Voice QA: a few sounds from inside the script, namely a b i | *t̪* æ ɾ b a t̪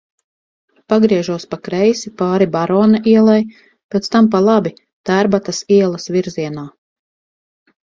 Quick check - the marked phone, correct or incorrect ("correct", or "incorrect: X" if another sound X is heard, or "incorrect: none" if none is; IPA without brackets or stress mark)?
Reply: correct